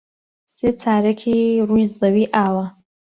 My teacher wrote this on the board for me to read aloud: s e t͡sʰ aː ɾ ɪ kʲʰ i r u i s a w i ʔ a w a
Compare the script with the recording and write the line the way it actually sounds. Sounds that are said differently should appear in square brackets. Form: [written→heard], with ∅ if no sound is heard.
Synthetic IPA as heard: s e t͡sʰ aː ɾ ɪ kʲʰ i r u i [s→z] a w i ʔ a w a